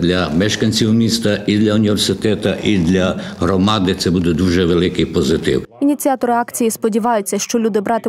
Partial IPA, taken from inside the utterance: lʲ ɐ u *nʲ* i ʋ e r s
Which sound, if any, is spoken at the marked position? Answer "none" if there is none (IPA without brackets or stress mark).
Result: nʲ